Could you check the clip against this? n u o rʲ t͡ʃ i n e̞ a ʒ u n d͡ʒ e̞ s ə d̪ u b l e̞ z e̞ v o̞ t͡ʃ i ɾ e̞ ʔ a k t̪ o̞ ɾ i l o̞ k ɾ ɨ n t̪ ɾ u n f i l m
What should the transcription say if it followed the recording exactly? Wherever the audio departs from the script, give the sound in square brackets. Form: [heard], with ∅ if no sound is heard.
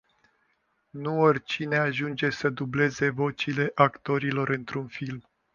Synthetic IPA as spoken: n u o rʲ t͡ʃ i n e̞ a ʒ u n d͡ʒ e̞ s ə d̪ u b l e̞ z e̞ v o̞ t͡ʃ i [l] e̞ ʔ a k t̪ o̞ ɾ i l o̞ [∅] ɾ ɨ n t̪ ɾ u n f i l m